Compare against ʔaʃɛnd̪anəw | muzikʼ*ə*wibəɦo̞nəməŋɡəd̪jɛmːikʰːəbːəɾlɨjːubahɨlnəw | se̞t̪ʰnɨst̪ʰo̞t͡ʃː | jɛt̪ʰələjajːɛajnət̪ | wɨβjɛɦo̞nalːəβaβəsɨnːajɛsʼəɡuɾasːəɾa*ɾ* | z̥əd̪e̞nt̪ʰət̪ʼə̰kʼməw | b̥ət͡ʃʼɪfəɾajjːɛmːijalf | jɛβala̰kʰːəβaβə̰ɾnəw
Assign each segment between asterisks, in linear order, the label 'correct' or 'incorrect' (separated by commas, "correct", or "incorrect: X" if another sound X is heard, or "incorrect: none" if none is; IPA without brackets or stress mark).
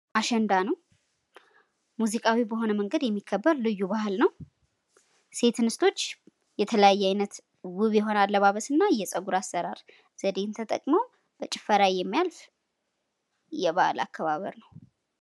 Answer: incorrect: a, correct